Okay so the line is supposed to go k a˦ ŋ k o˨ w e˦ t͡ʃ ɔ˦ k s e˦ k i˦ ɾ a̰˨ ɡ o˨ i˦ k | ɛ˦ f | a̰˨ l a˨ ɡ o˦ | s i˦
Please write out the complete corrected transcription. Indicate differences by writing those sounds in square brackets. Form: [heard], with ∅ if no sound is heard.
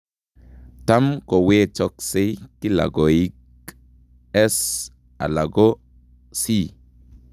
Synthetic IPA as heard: [t] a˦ [m] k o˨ w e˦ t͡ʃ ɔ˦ k s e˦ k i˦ [l] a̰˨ ɡ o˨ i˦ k | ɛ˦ [s] | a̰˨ l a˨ ɡ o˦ | s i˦